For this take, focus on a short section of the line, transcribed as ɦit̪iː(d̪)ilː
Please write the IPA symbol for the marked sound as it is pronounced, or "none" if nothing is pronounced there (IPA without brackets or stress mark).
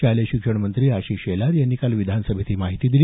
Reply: d̪